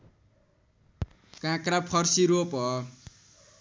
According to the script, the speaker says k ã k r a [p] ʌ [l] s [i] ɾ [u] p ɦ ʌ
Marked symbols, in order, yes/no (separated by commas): no, no, yes, no